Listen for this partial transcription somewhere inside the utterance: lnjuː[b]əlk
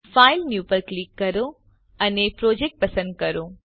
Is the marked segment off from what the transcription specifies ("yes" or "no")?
yes